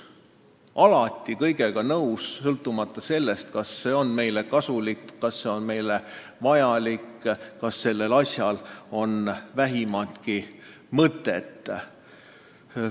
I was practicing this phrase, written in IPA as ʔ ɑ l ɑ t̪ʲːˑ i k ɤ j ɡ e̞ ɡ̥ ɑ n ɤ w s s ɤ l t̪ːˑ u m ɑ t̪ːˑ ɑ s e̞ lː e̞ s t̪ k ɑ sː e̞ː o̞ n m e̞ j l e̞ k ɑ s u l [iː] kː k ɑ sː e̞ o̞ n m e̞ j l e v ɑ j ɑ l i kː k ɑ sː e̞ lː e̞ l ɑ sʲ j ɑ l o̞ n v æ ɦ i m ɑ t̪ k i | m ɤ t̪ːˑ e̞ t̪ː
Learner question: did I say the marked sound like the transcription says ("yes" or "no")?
no